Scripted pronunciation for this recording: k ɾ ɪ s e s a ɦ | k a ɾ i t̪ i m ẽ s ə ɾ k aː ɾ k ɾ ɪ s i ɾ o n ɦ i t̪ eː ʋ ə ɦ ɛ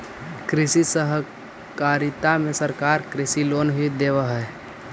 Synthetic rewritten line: k ɾ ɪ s i s ə ɦ | k a ɾ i t̪ a m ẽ s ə ɾ k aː ɾ k ɾ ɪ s i l o n ɦ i d̪ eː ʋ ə ɦ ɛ